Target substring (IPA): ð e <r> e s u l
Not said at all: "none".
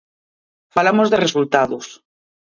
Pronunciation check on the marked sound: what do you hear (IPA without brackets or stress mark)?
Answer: r